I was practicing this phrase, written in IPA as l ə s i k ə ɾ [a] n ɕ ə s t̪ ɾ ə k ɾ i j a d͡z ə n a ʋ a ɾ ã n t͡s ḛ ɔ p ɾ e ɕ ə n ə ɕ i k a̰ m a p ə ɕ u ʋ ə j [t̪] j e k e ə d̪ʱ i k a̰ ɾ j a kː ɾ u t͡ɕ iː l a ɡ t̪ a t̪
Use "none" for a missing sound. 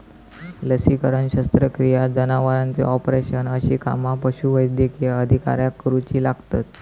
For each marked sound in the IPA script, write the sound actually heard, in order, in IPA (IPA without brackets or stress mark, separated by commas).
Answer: ə, d̪